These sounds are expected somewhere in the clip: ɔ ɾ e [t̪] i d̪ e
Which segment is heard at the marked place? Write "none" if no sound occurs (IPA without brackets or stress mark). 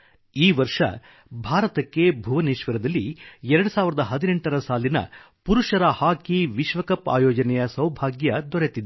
t̪